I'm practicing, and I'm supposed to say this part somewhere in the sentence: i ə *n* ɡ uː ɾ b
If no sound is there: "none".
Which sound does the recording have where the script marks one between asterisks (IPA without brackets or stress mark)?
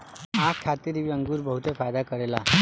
ŋ